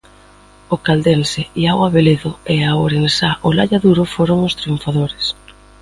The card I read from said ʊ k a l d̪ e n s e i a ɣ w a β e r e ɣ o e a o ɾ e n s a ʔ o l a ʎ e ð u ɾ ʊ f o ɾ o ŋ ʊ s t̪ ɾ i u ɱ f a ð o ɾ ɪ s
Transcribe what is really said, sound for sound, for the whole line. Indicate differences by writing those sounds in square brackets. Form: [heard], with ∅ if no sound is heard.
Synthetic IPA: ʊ k a l d̪ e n s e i a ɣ w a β e [l] e [ð] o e a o ɾ e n s a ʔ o l a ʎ [a] ð u ɾ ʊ f o ɾ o ŋ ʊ s t̪ ɾ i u ɱ f a ð o ɾ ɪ s